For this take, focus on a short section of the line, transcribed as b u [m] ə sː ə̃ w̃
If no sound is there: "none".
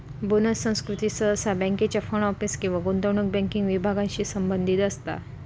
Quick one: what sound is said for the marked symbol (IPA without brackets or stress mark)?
n